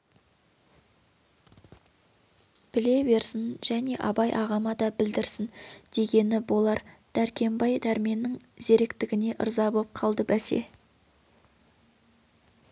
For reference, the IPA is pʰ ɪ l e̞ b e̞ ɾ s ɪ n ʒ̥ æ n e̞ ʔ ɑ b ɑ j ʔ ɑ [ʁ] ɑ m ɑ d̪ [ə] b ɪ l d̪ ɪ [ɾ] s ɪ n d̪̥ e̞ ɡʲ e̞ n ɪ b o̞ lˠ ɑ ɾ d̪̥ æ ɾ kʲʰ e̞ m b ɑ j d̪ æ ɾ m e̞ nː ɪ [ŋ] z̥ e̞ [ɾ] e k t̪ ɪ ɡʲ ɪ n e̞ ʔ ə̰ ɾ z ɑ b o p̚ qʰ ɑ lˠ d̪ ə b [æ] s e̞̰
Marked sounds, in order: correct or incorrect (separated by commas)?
correct, incorrect, correct, correct, correct, correct